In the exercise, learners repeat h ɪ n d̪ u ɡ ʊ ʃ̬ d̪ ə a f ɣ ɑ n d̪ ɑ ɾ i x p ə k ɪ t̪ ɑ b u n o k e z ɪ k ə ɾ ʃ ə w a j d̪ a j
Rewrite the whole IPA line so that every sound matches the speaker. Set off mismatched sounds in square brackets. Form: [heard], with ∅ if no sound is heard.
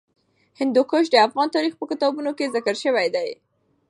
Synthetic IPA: h ɪ n d̪ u [k] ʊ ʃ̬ d̪ ə a f ɣ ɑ n [t̪] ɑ ɾ i x p ə k ɪ t̪ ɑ b u n o k e z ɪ k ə ɾ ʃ ə w a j d̪ a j